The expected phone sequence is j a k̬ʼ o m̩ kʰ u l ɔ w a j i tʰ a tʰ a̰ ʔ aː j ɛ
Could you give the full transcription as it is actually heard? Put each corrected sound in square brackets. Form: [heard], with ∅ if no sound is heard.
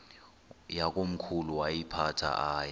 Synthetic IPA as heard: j a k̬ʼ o m̩ kʰ u l [u] w a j i [pʰ] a tʰ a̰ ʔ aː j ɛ